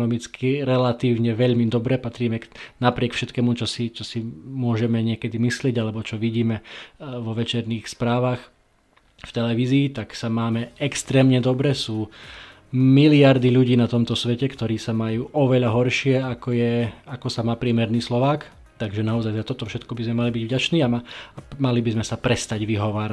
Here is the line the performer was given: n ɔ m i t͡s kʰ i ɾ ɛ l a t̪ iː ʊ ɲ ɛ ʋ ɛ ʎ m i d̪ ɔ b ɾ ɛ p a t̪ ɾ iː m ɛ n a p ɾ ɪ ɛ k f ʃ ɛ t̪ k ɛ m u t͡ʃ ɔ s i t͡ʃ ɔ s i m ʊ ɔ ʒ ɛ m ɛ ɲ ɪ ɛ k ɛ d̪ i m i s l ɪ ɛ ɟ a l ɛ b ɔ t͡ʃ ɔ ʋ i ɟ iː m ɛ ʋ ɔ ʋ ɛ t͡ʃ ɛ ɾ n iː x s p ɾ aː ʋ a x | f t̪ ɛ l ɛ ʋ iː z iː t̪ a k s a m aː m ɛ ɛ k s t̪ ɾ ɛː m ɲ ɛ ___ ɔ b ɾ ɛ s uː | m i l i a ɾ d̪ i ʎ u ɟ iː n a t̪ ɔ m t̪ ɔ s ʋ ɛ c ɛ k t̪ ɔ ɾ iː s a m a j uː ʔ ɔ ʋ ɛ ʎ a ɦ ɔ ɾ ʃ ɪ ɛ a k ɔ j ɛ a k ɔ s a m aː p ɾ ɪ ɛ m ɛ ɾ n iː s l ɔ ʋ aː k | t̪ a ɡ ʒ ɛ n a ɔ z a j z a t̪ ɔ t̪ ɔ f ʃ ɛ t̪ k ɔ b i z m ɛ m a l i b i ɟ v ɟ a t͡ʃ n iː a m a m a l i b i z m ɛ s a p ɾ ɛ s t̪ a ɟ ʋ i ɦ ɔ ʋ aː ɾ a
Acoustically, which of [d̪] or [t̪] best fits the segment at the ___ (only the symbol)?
d̪